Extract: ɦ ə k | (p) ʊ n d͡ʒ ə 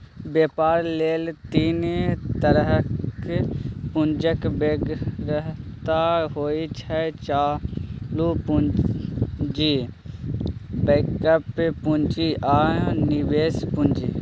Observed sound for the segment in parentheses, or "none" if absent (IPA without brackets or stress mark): p